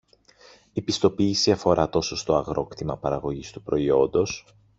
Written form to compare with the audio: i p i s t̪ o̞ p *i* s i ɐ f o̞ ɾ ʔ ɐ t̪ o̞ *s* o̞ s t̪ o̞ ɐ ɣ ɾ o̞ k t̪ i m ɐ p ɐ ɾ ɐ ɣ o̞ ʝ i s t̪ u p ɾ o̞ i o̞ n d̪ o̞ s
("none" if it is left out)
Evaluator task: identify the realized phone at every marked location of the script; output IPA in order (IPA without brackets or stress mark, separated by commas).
iː, s